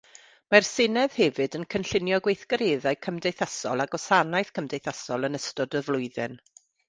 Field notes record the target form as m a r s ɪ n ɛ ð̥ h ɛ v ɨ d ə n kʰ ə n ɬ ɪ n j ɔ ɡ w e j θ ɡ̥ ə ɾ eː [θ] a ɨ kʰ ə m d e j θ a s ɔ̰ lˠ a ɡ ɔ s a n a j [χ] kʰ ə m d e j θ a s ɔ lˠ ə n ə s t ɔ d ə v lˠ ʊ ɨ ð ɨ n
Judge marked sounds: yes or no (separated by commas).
no, no